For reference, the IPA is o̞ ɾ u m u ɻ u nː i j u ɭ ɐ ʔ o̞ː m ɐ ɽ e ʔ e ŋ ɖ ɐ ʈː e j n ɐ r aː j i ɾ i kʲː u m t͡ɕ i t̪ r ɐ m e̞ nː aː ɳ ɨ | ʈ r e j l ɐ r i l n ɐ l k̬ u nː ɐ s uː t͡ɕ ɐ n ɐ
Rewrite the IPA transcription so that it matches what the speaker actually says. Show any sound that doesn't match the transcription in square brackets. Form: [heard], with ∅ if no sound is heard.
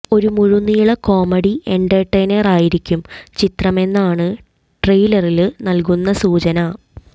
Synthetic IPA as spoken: o̞ ɾ u m u ɻ u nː i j u ɭ ɐ [k] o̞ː m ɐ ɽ [i] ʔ e [ɳ] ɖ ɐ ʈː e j n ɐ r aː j i ɾ i kʲː u m t͡ɕ i t̪ r ɐ m e̞ nː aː ɳ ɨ | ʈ r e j l ɐ r i l n ɐ l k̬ u nː ɐ s uː t͡ɕ ɐ n ɐ